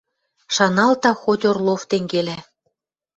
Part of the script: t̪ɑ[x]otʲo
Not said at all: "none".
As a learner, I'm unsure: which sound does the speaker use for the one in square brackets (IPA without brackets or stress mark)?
x